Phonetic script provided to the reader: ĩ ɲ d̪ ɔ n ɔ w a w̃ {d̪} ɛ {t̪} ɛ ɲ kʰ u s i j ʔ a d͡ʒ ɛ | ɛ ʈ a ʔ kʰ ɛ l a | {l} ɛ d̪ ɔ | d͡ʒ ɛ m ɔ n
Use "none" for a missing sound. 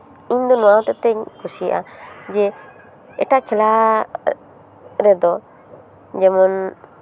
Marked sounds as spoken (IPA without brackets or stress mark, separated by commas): t̪, t̪, ɾ